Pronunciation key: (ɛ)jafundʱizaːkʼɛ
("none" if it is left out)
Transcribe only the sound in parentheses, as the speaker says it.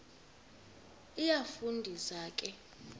i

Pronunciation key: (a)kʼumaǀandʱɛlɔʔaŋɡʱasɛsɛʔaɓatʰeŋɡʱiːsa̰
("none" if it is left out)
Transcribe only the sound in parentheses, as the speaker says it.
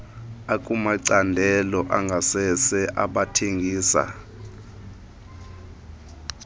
a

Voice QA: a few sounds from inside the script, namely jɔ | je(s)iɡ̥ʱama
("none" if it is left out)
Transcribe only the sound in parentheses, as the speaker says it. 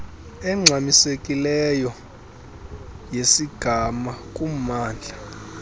s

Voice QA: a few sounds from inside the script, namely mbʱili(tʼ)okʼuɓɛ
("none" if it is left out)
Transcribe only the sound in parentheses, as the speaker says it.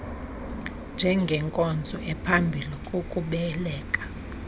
kʼ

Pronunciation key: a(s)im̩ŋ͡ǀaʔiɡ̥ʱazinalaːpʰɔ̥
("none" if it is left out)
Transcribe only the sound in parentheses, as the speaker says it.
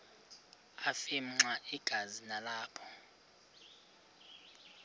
f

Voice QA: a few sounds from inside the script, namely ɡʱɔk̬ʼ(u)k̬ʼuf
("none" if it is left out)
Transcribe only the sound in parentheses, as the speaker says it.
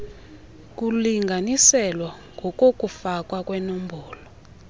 o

